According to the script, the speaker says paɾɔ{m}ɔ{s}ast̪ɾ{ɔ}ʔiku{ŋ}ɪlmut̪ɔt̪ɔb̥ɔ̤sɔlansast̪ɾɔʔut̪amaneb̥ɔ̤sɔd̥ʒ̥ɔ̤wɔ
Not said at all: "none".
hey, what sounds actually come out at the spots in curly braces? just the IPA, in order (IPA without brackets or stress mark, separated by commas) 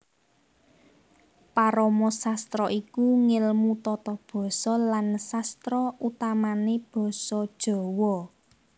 m, s, ɔ, ŋ